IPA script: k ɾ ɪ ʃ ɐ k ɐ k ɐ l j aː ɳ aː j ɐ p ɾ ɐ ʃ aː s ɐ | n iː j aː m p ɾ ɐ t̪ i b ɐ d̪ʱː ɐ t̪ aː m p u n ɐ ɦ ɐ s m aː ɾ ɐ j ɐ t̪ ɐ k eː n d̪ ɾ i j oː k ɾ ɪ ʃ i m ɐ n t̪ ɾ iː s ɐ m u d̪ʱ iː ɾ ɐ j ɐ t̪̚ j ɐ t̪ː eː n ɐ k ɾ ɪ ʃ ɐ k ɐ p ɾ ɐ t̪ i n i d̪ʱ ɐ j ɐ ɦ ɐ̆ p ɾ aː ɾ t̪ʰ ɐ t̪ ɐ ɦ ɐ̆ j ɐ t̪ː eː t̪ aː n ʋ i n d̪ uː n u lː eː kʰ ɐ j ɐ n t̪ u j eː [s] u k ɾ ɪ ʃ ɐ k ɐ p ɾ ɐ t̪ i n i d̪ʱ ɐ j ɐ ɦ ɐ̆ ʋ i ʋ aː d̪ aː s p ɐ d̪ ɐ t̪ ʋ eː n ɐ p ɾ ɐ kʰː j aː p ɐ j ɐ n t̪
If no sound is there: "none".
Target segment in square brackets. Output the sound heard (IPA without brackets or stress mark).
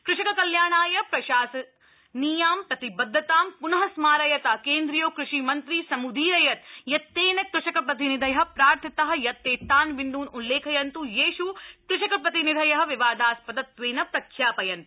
ʃ